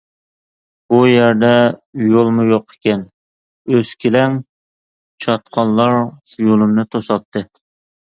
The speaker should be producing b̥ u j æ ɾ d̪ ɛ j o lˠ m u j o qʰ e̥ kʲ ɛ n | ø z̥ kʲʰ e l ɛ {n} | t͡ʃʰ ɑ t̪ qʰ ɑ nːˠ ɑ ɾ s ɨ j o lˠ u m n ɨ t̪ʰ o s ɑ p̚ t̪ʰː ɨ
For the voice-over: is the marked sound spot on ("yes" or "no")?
no